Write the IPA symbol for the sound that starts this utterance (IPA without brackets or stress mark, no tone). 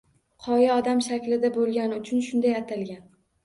qʰ